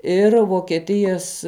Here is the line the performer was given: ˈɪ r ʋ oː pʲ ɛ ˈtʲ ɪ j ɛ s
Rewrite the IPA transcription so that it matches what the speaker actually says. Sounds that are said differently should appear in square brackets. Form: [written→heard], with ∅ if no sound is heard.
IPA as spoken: ˈɪ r ʋ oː [pʲ→kʲ] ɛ ˈtʲ ɪ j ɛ s